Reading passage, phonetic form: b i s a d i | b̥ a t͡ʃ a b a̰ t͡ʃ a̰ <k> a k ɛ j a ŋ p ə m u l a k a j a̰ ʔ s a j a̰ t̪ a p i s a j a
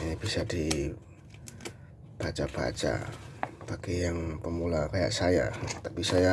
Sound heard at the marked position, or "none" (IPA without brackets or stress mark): p